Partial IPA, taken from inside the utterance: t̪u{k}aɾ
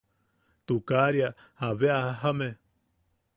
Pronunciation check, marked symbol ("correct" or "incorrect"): correct